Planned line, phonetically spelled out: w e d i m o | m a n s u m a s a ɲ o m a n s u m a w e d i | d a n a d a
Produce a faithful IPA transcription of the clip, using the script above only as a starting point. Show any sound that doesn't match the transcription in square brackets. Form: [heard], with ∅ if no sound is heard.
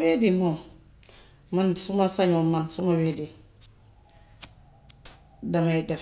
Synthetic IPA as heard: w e d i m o | m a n s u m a s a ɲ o m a n s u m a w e d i | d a [m] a d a